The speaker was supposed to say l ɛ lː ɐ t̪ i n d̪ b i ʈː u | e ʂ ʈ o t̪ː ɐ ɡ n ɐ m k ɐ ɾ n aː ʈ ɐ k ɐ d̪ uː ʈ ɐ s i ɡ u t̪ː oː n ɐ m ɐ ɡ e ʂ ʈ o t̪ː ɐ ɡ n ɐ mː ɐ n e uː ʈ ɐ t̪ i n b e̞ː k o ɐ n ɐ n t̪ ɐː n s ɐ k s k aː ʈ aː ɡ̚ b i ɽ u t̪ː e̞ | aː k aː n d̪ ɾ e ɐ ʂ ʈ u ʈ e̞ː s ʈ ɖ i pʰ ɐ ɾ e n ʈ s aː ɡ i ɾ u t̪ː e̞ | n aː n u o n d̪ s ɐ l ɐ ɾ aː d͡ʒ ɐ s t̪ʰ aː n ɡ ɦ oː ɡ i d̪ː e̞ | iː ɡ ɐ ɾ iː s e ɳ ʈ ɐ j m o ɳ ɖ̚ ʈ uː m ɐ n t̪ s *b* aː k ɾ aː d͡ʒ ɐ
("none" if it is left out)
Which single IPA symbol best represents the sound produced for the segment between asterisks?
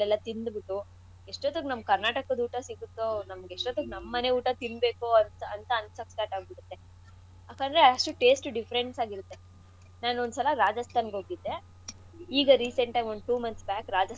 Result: b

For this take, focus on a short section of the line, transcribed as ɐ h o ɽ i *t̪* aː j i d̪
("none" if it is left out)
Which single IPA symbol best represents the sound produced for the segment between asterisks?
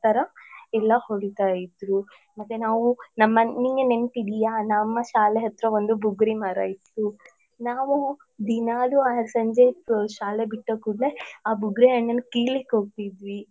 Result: t̪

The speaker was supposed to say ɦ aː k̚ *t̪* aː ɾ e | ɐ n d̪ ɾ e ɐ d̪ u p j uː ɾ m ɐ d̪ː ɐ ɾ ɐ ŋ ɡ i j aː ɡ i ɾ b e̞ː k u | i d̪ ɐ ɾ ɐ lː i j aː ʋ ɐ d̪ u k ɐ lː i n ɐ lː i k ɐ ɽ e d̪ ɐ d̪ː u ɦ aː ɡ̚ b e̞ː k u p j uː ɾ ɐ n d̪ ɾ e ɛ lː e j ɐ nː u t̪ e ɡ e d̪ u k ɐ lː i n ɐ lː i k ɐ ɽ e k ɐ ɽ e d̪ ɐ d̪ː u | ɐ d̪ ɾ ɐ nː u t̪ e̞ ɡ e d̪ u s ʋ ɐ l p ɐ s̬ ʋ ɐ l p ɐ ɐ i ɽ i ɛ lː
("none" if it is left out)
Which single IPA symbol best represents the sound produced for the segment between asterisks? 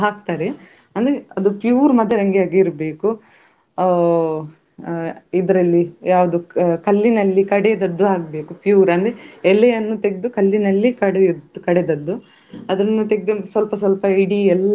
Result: t̪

